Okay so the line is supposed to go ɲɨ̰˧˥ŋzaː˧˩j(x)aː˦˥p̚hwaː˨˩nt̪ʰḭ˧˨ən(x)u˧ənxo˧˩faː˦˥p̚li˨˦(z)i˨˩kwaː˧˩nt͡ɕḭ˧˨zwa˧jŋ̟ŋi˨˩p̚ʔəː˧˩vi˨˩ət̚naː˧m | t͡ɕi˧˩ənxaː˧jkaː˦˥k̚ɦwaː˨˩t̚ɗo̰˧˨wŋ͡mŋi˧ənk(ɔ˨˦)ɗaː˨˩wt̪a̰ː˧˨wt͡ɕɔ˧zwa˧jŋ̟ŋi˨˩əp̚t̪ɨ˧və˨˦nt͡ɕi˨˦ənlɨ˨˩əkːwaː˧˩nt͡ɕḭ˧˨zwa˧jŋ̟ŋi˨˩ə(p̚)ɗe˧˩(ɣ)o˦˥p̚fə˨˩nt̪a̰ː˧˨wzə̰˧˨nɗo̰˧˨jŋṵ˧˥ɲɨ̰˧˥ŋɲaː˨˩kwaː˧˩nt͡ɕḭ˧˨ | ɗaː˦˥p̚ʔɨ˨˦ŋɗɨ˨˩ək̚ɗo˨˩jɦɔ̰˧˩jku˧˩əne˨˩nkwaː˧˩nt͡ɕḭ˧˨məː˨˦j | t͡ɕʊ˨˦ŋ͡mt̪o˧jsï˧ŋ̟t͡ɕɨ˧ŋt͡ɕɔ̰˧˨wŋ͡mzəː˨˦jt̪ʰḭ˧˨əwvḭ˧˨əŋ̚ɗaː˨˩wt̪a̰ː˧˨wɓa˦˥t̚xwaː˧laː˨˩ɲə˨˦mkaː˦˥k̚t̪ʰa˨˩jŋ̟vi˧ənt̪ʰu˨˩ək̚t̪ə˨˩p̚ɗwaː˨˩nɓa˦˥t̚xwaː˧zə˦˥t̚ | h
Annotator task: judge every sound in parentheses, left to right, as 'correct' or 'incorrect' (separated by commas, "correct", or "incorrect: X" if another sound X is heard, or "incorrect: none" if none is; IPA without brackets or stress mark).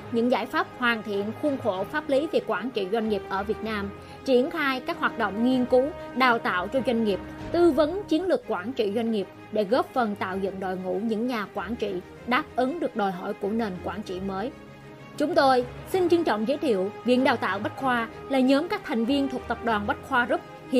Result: incorrect: f, correct, incorrect: v, incorrect: u˨˦, correct, correct